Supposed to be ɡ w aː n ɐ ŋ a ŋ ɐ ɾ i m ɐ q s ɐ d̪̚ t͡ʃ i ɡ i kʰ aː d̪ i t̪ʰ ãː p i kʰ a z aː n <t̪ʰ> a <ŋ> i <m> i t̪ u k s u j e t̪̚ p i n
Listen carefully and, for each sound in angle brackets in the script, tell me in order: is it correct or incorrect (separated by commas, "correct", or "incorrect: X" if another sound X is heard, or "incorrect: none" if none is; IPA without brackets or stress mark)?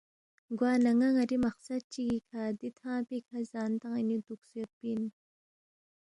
incorrect: t̪, correct, incorrect: n